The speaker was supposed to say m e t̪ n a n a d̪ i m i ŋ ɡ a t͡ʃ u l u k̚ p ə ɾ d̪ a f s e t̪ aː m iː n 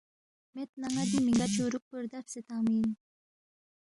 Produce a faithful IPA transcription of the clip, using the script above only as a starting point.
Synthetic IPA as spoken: m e t̪ n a ŋ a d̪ i m i ŋ ɡ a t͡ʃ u ɾ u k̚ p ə ɾ d̪ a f s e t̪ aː m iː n